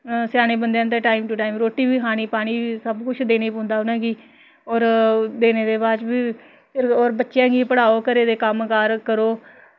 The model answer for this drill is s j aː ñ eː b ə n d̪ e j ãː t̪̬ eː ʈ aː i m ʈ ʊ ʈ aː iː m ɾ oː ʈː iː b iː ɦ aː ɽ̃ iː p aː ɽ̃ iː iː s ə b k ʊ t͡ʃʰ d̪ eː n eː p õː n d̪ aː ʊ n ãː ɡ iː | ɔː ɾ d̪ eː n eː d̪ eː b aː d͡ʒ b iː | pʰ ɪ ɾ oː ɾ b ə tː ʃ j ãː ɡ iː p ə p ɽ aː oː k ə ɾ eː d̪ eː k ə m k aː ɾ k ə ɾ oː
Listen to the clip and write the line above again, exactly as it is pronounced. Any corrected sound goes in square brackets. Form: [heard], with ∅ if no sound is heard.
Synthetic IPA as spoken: s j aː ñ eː b ə n d̪ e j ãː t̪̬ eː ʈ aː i m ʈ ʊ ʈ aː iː m ɾ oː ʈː iː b iː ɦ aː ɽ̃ iː p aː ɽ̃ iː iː s ə b k ʊ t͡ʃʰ d̪ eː n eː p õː n d̪ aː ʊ n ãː ɡ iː | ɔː ɾ d̪ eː n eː d̪ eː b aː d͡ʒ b iː | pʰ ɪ ɾ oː ɾ b ə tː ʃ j ãː ɡ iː p ə [∅] ɽ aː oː k ə ɾ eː d̪ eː k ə m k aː ɾ k ə ɾ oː

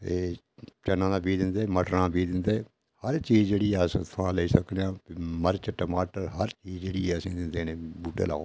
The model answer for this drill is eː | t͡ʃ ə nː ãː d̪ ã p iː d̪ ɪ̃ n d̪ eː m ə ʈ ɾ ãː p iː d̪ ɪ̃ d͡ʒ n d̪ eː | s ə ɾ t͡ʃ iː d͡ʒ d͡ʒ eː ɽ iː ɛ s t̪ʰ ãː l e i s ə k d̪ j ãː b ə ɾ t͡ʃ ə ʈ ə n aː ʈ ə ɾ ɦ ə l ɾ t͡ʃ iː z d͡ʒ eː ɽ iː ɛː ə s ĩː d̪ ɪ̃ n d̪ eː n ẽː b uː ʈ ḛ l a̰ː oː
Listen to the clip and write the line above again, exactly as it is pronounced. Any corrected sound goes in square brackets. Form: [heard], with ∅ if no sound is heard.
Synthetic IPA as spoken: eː | t͡ʃ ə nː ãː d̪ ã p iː d̪ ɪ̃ n d̪ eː m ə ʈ ɾ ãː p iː d̪ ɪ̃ [∅] n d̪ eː | [h] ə ɾ t͡ʃ iː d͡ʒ d͡ʒ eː ɽ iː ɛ s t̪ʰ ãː l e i s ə k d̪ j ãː [m] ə ɾ t͡ʃ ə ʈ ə [m] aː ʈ ə ɾ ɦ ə [∅] ɾ t͡ʃ iː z d͡ʒ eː ɽ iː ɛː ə s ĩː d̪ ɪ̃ n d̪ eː n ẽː b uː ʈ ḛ l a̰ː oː

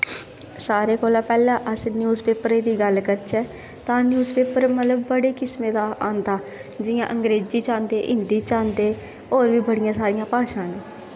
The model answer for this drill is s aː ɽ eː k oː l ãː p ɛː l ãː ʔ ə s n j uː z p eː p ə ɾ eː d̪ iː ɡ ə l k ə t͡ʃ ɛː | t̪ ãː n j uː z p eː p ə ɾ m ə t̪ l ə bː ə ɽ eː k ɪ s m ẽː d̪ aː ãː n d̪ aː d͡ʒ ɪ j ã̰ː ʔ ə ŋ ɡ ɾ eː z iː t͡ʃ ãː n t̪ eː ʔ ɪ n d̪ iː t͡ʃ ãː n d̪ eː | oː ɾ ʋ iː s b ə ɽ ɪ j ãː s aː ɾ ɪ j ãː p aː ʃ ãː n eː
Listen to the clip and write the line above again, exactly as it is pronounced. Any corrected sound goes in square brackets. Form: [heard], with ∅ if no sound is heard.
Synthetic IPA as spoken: s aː [ɾ] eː k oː l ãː p ɛː l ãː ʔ ə s n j uː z p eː p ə ɾ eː d̪ iː ɡ ə l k ə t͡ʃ ɛː | t̪ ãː n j uː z p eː p ə ɾ m ə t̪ l ə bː ə ɽ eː k ɪ s m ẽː d̪ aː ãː n d̪ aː d͡ʒ ɪ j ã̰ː ʔ ə ŋ ɡ ɾ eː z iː t͡ʃ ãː n [d̪] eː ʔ ɪ n d̪ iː t͡ʃ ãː n d̪ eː | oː ɾ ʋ iː [∅] b ə ɽ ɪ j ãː s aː ɾ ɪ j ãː p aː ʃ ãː n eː

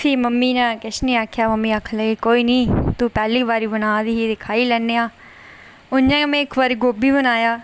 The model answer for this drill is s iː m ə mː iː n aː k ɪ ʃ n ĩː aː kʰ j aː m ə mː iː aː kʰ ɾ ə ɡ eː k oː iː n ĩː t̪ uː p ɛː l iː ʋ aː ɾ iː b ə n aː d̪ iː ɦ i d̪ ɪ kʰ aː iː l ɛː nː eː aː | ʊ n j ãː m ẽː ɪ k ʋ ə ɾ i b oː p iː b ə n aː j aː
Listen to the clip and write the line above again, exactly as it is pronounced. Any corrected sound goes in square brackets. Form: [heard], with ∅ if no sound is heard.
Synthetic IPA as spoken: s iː m ə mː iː n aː k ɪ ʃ n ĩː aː kʰ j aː m ə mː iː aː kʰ [l] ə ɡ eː k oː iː n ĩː t̪ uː p ɛː l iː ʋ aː ɾ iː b ə n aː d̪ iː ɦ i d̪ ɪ kʰ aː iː l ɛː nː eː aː | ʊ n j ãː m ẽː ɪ k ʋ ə ɾ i [ɡ] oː [b] iː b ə n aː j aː

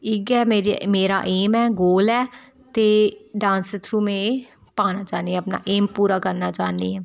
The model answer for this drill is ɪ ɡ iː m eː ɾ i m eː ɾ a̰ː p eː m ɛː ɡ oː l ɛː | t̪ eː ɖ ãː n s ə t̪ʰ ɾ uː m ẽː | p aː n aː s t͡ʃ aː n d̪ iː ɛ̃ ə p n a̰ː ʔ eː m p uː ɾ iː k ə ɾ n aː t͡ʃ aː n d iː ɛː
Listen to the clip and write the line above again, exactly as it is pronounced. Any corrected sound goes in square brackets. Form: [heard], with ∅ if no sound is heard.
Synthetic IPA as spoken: ɪ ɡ [ɛː] m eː ɾ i m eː ɾ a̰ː [ʔ] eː m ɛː ɡ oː l ɛː | t̪ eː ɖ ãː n s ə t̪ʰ ɾ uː m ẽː | p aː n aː [∅] t͡ʃ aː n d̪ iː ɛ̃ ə p n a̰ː ʔ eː m p uː ɾ [aː] k ə ɾ n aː t͡ʃ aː n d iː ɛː

